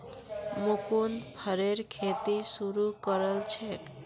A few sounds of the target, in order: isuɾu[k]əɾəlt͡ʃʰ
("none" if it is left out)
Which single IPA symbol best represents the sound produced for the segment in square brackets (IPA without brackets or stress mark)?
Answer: k